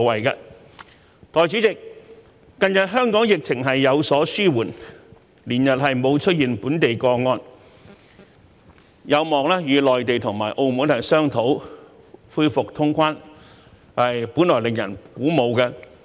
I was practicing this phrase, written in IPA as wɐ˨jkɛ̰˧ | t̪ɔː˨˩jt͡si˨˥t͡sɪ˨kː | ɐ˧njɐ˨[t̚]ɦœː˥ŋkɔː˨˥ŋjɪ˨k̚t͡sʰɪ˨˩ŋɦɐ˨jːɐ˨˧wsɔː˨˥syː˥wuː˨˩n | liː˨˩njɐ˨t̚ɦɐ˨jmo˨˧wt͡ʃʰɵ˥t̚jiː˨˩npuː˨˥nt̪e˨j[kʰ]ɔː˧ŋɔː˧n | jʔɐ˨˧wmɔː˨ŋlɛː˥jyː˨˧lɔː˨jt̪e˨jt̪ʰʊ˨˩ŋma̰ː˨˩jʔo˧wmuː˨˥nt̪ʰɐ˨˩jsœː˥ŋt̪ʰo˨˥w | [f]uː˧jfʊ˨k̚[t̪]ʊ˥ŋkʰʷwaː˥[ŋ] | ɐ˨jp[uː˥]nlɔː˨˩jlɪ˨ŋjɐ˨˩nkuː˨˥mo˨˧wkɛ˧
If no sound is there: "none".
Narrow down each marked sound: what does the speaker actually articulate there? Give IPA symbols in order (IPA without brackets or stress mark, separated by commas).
t̚, k, f, t̪ʰ, n, uː˨˥